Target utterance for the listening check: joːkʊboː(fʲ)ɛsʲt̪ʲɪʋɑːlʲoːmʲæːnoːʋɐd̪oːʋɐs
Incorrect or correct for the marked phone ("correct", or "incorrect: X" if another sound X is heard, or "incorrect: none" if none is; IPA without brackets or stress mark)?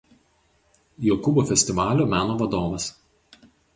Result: correct